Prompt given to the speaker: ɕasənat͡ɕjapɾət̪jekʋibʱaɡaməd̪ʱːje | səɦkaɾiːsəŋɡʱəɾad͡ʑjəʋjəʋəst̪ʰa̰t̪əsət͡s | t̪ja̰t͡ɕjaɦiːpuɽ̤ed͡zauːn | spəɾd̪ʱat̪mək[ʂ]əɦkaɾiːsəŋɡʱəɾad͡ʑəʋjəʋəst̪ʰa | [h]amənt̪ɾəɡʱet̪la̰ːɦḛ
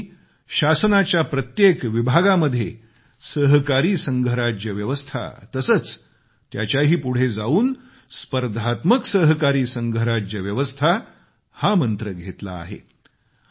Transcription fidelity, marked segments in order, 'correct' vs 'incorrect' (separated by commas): incorrect, correct